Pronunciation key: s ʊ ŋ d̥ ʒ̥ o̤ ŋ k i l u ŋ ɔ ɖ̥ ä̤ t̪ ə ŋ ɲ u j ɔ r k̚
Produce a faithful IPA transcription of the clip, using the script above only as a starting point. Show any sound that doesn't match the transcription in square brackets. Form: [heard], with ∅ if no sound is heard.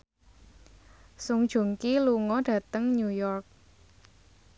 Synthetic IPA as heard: s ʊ ŋ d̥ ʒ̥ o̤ ŋ k i l u ŋ ɔ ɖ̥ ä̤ t̪ ə ŋ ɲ u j ɔ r k̚